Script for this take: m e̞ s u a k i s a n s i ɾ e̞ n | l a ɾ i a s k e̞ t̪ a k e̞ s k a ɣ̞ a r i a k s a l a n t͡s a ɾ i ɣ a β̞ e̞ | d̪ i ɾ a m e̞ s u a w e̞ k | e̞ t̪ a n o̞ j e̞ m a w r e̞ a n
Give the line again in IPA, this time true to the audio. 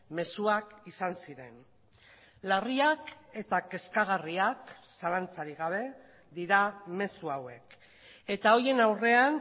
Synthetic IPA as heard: m e̞ s u a k i s a n s i ɾ e̞ n | l a r i a k e̞ t̪ a k e̞ s k a ɣ̞ a r i a k s a l a n t͡s a ɾ i ɣ a β̞ e̞ | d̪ i ɾ a m e̞ s u a w e̞ k | e̞ t̪ a o̞ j e̞ n a w r e̞ a n